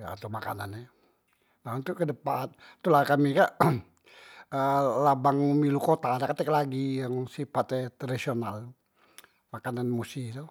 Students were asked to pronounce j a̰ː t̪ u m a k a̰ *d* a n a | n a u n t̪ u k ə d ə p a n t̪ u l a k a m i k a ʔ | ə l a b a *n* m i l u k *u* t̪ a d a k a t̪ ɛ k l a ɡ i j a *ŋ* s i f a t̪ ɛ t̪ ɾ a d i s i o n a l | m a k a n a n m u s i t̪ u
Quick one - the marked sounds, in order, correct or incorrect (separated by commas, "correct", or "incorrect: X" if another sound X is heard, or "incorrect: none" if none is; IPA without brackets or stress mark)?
incorrect: n, incorrect: ŋ, incorrect: o, correct